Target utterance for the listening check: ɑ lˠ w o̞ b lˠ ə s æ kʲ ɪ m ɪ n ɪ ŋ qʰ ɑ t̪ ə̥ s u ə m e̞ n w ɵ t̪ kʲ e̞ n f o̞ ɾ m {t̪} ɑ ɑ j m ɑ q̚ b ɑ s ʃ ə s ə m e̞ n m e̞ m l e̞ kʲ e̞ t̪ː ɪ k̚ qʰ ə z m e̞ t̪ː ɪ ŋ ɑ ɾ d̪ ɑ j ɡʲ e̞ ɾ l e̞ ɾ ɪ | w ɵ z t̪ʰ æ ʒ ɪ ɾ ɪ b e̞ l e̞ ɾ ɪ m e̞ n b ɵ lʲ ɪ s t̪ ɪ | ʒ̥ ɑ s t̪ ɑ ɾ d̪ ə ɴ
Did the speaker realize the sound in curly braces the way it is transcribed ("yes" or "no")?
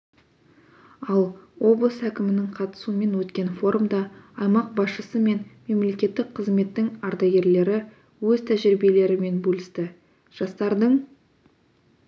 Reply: no